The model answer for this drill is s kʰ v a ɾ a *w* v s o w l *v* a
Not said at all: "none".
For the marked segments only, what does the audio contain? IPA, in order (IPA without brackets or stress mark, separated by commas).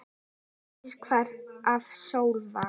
none, v